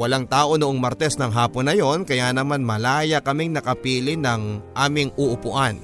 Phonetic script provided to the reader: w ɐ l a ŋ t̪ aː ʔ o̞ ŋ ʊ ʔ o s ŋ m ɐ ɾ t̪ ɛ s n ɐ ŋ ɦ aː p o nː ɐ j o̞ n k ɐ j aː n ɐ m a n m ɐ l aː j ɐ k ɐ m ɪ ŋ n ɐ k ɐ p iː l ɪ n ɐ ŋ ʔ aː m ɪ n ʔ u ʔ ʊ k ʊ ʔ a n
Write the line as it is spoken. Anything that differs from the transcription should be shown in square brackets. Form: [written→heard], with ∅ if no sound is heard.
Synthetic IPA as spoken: w ɐ l a ŋ t̪ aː ʔ o̞ [ŋ→n] ʊ ʔ o [s→∅] ŋ m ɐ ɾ t̪ ɛ s n ɐ ŋ ɦ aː p o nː ɐ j o̞ n k ɐ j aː n ɐ m a n m ɐ l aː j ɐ k ɐ m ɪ ŋ n ɐ k ɐ p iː l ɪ n ɐ ŋ ʔ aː m ɪ [n→ŋ] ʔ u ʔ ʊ [k→p] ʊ ʔ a n